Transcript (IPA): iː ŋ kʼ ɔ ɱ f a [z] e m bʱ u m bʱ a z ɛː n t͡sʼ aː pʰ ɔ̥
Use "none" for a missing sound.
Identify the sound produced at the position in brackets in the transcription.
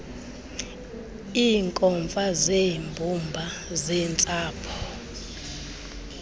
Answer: z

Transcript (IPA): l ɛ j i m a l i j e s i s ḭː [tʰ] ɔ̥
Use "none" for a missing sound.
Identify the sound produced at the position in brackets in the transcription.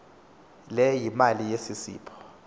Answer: pʰ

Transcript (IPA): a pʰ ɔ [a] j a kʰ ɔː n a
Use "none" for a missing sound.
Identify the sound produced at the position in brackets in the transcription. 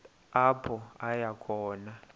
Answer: a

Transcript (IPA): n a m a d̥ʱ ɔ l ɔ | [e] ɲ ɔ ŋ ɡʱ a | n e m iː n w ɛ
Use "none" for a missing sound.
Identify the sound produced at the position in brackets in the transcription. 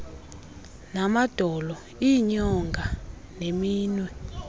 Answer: i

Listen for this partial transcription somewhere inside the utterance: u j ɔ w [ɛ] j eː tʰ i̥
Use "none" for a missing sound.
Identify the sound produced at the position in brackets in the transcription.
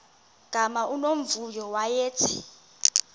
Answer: a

